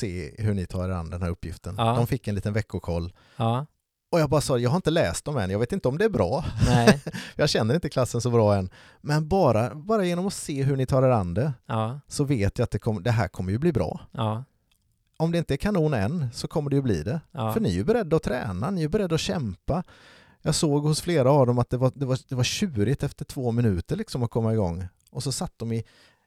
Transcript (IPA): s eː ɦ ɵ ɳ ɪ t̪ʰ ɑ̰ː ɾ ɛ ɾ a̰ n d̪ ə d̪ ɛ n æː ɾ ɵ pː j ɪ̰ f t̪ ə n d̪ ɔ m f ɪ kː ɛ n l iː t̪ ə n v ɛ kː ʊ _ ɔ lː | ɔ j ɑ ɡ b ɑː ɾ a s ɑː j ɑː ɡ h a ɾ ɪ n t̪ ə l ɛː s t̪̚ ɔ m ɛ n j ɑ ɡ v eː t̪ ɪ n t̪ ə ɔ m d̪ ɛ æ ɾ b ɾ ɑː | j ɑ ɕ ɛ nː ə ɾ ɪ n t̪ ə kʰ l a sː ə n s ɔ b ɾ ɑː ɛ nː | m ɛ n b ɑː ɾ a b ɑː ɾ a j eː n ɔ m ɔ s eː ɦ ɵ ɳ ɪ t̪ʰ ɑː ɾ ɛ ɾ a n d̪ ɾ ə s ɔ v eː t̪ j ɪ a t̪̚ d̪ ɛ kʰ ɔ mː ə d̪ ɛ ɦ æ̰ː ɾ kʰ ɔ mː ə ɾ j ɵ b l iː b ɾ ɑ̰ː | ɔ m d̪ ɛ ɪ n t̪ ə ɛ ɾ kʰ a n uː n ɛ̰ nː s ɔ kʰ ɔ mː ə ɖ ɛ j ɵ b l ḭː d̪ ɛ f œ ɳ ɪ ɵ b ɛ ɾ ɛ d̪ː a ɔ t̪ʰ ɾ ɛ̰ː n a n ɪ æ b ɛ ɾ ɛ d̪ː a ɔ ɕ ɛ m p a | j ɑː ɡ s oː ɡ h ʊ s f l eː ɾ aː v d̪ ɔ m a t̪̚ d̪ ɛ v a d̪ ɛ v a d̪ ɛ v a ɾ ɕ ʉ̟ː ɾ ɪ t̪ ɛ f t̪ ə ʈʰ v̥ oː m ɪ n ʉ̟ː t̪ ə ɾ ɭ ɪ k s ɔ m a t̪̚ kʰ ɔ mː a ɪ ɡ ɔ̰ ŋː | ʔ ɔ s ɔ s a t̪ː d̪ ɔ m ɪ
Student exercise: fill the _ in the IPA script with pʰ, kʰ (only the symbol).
kʰ